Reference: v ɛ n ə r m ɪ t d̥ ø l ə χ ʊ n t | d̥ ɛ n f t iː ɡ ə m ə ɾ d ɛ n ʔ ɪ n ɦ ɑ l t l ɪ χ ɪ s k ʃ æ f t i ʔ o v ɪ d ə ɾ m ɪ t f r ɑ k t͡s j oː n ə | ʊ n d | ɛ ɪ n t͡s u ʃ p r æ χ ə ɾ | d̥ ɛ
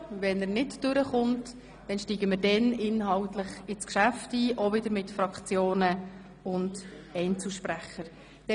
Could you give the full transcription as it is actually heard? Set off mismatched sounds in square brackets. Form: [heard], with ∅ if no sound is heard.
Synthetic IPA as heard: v ɛ n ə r [n] ɪ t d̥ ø [ɾ] ə χ ʊ n t | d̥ ɛ n [ʃ] t iː ɡ ə m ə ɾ d ɛ n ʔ ɪ n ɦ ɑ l t l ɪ χ ɪ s k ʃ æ f t [iː] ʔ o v ɪ d ə ɾ m ɪ t f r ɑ k t͡s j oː n ə | ʊ n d | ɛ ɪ n t͡s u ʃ p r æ χ ə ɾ | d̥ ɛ